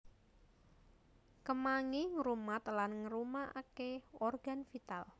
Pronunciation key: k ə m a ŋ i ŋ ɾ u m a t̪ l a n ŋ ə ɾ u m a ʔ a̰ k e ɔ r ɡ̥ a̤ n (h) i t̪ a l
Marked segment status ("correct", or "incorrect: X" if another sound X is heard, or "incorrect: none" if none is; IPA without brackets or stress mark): incorrect: f